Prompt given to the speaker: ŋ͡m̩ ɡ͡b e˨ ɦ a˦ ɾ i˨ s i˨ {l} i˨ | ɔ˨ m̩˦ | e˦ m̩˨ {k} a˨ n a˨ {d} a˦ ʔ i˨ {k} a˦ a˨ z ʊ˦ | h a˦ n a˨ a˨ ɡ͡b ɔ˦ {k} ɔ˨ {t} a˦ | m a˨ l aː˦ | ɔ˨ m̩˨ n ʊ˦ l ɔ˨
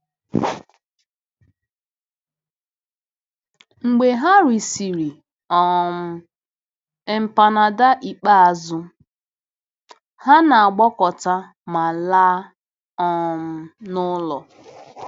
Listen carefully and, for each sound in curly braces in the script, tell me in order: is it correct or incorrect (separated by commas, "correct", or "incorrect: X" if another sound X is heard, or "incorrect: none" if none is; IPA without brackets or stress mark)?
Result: incorrect: ɾ, incorrect: p, correct, incorrect: k͡p, correct, correct